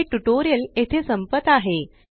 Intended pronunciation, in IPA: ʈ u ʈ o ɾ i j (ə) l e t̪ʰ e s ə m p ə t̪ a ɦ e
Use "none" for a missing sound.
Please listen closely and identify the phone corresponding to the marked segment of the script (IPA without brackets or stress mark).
ə